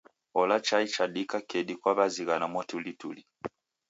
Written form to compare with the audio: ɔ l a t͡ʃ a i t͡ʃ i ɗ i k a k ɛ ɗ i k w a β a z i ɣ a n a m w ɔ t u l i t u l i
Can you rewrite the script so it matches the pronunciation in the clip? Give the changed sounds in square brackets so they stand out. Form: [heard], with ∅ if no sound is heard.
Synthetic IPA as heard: ɔ l a t͡ʃ a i t͡ʃ [a] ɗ i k a k ɛ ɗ i k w a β a z i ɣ a n a m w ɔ t u l i t u l i